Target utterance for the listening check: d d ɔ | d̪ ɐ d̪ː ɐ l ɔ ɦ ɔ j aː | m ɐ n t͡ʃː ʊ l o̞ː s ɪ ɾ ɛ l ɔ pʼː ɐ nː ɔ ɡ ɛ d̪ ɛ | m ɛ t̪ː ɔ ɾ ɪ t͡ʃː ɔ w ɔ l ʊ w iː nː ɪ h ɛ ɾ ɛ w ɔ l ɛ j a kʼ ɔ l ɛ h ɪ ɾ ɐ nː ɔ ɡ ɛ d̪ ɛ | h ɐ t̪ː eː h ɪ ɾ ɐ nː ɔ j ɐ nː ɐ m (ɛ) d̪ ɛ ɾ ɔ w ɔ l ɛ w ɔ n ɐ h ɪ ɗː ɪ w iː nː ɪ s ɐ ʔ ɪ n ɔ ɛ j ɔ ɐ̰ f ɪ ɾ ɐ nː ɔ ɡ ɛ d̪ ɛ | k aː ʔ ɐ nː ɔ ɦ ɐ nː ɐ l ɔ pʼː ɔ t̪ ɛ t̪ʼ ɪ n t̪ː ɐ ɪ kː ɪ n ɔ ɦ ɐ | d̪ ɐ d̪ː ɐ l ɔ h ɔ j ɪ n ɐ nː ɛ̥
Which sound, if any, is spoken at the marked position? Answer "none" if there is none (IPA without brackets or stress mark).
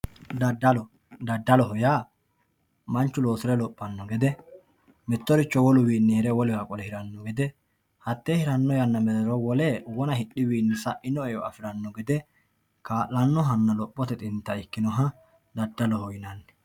ɛ